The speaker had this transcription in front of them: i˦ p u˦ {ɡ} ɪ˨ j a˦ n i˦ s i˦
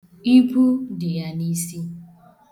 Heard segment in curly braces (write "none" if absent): d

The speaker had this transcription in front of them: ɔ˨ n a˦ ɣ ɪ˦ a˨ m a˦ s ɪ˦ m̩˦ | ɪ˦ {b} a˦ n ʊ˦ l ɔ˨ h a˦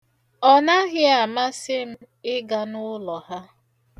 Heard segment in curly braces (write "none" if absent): ɡ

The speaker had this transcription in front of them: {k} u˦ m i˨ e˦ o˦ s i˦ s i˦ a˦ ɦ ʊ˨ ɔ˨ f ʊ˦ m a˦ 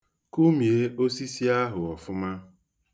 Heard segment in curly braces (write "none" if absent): k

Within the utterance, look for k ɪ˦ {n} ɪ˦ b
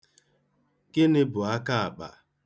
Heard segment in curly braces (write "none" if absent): n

